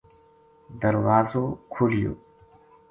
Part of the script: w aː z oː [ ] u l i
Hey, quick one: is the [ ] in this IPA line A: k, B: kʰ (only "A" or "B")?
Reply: B